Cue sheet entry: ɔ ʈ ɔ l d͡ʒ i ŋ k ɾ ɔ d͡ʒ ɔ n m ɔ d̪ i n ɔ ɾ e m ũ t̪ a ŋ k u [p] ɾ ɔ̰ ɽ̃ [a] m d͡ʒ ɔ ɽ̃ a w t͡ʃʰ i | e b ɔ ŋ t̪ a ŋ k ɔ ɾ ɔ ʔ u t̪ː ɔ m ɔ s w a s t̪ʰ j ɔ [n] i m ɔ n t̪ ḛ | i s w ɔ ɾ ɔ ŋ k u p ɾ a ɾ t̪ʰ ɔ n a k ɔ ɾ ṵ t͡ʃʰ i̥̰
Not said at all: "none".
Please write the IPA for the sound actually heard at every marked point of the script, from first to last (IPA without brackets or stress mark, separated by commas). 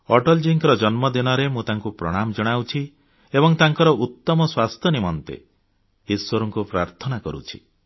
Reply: p, a, n